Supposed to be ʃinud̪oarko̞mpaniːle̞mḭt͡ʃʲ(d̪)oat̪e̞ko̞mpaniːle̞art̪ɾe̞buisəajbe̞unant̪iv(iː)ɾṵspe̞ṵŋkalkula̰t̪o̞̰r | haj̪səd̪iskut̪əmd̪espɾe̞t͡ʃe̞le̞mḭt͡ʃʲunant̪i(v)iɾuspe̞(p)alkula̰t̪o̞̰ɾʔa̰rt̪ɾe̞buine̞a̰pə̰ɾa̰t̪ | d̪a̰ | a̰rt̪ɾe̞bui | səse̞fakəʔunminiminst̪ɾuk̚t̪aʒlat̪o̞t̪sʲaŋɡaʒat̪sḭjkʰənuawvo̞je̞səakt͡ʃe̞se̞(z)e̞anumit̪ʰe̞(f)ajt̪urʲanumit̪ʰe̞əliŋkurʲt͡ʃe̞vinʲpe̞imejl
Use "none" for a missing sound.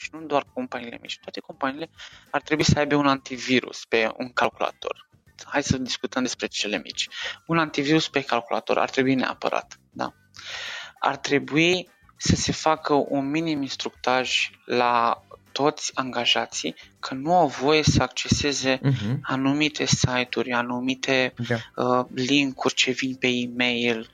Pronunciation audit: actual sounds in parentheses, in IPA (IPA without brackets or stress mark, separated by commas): t̪, i, v, k, z, s